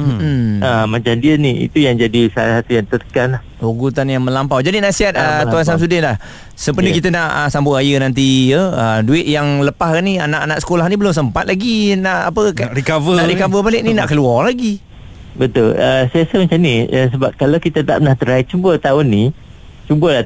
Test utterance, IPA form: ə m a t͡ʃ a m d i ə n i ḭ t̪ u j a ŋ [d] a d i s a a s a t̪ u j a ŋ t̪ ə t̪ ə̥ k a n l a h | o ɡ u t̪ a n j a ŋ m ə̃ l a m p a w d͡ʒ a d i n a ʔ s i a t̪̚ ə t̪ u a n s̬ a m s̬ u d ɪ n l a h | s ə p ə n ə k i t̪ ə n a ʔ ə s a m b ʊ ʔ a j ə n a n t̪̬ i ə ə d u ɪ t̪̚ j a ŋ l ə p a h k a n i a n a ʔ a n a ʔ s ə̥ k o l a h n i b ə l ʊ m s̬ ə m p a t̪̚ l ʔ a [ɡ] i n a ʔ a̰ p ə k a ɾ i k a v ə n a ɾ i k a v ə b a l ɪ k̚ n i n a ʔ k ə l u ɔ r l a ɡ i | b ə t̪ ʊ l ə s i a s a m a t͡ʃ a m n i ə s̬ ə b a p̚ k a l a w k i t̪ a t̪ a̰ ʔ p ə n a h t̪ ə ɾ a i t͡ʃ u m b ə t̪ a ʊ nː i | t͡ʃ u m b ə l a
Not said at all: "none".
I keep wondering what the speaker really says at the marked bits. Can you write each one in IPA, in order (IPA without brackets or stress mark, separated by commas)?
d͡ʒ, ɡ